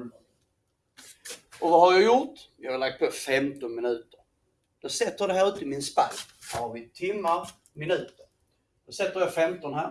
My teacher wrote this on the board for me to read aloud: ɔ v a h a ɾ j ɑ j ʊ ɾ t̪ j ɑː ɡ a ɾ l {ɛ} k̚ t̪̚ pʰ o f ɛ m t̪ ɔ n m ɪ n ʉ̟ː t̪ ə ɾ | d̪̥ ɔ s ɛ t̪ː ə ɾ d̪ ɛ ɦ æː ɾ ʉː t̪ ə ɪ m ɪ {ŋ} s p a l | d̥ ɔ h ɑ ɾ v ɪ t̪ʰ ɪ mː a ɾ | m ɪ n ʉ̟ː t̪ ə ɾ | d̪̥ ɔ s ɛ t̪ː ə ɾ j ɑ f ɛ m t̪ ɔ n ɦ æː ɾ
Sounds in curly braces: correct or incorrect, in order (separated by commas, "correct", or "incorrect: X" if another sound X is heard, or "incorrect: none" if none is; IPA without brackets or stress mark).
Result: incorrect: a, incorrect: n